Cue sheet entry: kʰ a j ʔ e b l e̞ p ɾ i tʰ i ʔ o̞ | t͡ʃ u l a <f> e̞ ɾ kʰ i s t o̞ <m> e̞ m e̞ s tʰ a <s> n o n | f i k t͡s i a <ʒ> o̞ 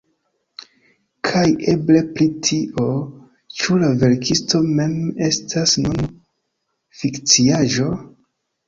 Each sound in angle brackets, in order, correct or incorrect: incorrect, correct, correct, correct

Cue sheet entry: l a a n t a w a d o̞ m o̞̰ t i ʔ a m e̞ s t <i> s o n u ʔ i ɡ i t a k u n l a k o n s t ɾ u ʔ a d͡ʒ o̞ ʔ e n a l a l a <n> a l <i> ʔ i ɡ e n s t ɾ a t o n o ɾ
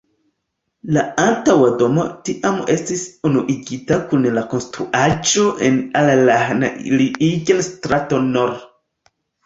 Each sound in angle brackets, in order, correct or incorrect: correct, correct, correct

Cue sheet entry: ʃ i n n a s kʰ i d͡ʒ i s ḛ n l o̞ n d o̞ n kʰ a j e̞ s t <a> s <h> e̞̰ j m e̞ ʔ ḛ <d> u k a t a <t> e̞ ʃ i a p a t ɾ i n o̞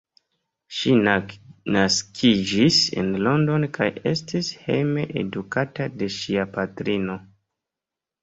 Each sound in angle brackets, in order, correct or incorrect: incorrect, correct, correct, incorrect

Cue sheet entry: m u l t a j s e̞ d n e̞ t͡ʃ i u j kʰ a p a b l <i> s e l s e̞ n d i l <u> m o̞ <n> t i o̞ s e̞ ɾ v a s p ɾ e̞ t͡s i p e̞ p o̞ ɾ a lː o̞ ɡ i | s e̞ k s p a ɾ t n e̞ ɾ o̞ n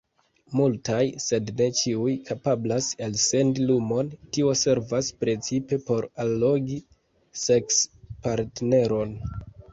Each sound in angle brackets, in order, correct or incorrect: incorrect, correct, correct

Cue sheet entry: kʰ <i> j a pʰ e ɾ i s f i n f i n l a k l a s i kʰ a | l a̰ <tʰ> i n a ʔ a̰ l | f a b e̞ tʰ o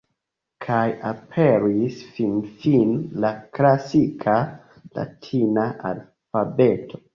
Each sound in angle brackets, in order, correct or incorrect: incorrect, correct

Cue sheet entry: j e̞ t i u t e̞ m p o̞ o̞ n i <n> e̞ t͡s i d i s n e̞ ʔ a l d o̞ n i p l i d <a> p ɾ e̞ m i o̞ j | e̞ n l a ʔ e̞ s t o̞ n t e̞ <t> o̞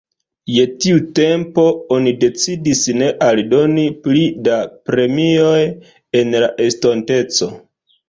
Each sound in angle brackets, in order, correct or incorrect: incorrect, correct, incorrect

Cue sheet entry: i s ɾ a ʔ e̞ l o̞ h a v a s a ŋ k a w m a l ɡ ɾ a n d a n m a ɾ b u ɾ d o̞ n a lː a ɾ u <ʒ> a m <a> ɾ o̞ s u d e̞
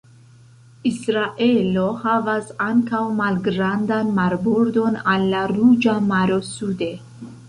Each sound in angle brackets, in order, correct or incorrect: incorrect, correct

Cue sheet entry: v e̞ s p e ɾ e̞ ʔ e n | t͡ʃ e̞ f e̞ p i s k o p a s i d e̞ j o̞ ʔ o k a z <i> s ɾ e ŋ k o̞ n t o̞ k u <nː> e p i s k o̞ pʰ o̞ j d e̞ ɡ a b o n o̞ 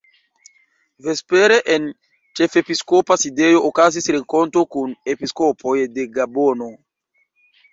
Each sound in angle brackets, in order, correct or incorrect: correct, incorrect

